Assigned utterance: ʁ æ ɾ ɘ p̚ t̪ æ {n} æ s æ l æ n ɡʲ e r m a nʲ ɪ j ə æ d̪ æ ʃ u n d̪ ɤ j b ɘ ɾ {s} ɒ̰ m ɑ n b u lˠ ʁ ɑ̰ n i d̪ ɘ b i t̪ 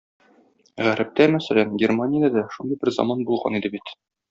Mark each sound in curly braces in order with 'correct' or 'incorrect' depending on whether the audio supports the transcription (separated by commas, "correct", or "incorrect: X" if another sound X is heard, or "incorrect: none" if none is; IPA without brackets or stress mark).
incorrect: m, incorrect: z